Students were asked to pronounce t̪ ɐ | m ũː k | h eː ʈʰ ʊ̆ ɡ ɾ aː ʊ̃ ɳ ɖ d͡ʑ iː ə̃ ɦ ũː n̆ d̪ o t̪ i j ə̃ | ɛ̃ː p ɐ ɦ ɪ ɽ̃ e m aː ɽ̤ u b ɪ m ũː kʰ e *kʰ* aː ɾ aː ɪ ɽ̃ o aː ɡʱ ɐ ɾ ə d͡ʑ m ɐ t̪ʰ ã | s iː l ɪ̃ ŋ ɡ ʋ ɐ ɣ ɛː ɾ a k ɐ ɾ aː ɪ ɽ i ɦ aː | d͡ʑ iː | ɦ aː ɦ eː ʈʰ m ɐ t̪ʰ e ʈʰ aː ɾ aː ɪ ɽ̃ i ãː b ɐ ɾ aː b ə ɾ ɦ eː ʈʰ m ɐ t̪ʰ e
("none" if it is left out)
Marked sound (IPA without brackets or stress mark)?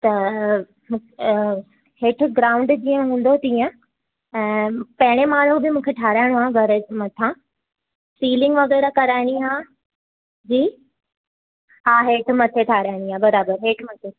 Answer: ʈʰ